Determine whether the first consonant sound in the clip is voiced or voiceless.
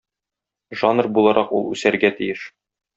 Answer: voiced